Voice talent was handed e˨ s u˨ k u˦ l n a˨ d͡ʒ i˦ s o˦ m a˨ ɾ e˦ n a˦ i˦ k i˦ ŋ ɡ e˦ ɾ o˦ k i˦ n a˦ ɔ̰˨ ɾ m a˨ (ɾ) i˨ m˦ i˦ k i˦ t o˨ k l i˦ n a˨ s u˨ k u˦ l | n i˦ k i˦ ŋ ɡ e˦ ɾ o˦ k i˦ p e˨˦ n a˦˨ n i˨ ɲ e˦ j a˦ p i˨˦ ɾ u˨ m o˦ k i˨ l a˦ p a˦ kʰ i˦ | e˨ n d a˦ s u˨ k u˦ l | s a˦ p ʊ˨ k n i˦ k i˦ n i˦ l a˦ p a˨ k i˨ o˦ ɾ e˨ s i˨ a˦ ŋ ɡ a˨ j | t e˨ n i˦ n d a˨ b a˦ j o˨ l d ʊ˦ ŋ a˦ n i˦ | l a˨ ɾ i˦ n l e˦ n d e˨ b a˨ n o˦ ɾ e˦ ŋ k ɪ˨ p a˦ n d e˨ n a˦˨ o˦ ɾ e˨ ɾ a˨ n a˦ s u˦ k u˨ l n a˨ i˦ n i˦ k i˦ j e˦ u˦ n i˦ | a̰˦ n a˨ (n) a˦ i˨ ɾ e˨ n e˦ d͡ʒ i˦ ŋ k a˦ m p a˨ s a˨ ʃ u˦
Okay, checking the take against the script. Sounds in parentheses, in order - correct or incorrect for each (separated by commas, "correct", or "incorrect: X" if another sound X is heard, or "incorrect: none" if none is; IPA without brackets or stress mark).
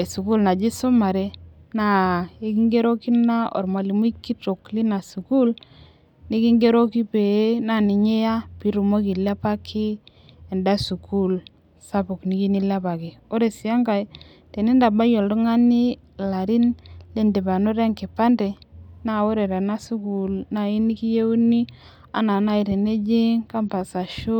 incorrect: l, correct